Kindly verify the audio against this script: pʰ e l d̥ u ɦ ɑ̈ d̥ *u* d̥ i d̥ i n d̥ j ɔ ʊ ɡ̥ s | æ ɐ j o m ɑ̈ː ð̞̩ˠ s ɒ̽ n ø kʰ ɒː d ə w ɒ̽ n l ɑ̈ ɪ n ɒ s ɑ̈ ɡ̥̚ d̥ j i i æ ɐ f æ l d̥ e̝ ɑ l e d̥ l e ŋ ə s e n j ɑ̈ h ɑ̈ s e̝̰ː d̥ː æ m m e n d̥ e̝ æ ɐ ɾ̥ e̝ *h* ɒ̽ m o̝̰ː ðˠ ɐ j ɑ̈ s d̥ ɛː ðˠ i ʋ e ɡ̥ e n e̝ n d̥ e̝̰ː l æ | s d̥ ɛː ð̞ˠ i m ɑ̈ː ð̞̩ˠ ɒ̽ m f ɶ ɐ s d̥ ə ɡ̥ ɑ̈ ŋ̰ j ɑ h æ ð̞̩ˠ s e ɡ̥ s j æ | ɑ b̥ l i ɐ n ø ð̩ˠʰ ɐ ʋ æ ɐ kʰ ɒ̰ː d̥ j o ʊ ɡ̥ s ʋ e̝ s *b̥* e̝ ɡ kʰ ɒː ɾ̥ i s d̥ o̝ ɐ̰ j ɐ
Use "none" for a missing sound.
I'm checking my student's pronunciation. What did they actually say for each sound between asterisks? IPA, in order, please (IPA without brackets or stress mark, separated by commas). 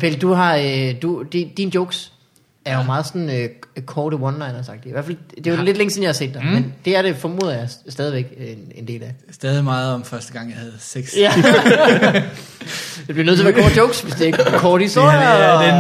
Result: u, f, d̥